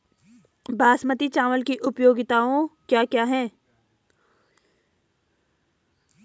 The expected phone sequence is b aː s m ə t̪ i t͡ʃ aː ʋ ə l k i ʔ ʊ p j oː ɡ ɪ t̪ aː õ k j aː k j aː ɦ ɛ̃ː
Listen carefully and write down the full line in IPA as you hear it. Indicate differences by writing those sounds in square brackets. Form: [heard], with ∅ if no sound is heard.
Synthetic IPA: b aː s m ə t̪ i t͡ʃ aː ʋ ə l k i ʔ ʊ p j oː ɡ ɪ t̪ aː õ k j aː k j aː ɦ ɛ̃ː